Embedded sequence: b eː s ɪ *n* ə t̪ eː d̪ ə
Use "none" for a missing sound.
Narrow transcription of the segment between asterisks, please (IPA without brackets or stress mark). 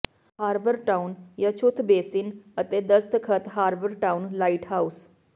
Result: n